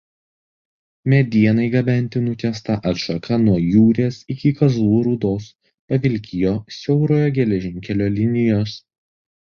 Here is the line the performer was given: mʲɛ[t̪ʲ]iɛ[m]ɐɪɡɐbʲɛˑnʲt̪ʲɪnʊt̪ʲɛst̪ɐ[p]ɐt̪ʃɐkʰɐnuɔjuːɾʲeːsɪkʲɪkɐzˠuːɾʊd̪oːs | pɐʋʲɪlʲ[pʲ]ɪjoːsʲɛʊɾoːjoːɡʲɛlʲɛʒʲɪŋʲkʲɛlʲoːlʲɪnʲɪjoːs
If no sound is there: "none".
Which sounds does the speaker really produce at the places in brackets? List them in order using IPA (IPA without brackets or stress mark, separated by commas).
d̪ʲ, n, ʔ, kʲ